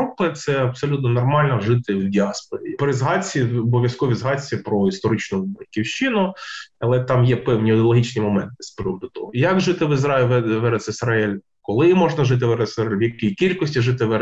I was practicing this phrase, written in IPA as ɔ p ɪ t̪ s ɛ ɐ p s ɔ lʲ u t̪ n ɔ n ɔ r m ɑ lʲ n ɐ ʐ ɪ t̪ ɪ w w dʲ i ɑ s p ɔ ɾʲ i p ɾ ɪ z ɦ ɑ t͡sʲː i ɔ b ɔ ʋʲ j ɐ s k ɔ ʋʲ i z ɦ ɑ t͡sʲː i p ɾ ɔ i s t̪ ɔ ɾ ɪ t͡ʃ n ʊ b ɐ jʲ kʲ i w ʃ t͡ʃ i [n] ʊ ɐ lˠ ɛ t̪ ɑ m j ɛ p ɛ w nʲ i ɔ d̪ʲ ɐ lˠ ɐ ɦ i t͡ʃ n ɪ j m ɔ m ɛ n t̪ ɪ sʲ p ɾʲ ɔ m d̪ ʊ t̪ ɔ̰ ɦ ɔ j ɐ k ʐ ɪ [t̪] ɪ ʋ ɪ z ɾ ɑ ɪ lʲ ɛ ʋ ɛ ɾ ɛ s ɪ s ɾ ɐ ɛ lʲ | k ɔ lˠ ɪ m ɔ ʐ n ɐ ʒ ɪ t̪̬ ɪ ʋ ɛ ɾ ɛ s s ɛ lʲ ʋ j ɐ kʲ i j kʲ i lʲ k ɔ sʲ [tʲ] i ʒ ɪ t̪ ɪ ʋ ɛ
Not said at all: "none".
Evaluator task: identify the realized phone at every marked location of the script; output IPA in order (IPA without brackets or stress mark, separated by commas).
n, t̪, tʲ